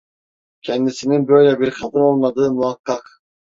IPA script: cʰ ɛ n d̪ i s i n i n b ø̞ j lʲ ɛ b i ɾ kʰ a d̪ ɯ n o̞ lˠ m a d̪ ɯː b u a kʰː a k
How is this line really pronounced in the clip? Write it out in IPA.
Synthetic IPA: cʰ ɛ n d̪ i s i n i n b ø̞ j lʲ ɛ b i ɾ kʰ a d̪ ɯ n o̞ lˠ m a d̪ ɯː m u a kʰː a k